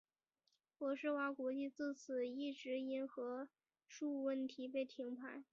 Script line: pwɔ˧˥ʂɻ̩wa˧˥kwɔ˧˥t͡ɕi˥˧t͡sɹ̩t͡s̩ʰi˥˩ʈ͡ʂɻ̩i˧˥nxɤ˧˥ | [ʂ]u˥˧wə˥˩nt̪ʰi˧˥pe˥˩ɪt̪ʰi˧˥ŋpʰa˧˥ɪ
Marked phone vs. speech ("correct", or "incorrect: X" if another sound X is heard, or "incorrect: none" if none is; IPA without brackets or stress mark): correct